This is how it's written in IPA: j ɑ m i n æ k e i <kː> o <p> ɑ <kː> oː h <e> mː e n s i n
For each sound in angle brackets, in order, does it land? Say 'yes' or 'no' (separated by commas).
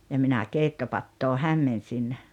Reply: no, yes, no, no